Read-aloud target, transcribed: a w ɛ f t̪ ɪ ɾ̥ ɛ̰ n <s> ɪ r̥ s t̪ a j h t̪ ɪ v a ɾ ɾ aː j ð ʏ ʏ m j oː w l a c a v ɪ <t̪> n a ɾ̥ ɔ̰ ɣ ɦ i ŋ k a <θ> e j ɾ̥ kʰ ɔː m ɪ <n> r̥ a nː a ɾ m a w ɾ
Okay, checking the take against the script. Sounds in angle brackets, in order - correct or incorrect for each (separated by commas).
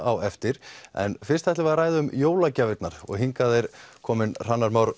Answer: incorrect, correct, incorrect, correct